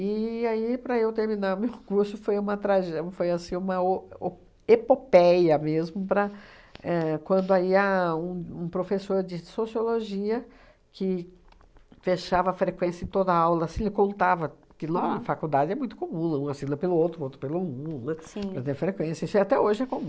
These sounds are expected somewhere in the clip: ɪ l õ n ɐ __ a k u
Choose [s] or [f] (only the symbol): f